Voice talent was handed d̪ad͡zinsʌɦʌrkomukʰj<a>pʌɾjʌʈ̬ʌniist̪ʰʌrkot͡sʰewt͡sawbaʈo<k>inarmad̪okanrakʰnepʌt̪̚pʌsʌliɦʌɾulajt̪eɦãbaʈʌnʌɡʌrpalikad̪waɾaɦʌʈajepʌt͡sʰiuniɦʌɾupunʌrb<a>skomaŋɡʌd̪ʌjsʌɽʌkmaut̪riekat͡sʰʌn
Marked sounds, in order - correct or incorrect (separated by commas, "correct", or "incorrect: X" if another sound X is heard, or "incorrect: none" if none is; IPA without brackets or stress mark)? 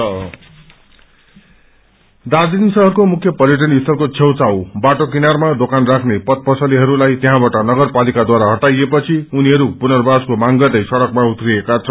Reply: incorrect: ʌ, correct, correct